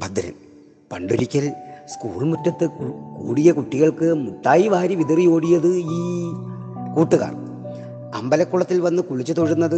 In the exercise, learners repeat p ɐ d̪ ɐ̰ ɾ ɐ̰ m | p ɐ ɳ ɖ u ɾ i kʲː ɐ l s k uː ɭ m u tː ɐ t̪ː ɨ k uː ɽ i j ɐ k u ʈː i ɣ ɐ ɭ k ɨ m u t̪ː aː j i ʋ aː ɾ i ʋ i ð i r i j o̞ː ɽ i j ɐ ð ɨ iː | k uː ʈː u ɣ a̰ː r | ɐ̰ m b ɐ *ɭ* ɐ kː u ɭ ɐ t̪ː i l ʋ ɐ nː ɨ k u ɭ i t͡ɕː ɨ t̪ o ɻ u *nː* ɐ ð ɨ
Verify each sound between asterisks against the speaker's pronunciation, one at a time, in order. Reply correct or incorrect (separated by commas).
incorrect, correct